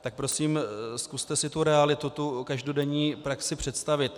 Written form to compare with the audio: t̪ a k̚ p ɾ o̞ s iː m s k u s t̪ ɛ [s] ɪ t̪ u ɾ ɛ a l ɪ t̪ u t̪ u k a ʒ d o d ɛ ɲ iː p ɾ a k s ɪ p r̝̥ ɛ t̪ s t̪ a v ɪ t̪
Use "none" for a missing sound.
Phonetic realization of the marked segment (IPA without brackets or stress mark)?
s